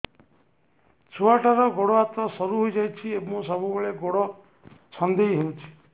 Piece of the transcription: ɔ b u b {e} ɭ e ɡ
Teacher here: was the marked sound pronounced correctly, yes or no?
yes